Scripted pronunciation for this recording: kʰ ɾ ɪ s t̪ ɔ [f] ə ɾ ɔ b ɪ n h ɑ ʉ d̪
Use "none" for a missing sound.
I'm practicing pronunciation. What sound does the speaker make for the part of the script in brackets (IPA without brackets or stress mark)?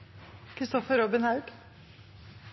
f